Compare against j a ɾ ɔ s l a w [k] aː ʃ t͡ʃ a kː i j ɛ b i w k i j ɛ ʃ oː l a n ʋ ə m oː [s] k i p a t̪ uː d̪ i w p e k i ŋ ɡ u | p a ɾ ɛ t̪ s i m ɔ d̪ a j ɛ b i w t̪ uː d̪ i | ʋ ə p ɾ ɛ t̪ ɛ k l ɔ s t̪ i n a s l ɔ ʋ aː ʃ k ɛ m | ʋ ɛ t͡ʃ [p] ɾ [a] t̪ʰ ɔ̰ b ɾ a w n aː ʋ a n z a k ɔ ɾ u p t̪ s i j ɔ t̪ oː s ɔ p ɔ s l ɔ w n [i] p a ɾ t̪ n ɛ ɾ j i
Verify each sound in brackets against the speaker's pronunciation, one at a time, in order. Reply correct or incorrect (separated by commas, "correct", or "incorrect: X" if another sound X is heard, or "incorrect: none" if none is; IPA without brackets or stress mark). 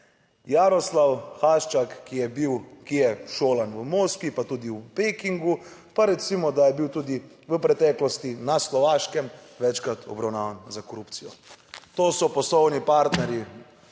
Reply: incorrect: x, correct, incorrect: k, correct, correct